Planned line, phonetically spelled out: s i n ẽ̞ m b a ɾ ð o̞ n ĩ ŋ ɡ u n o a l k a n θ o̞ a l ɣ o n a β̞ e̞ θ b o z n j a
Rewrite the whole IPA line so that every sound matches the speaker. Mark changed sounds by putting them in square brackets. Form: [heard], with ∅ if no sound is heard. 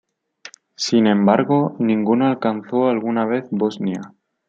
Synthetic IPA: s i n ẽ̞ m b a ɾ [ɣ] o̞ n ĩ ŋ ɡ u n o a l k a n θ o̞ a l ɣ [u] n a β̞ e̞ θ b o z n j a